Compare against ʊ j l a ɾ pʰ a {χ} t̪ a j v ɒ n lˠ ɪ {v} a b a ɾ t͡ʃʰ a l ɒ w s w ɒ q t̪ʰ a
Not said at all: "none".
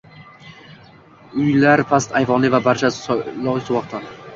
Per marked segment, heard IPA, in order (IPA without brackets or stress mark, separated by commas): s, v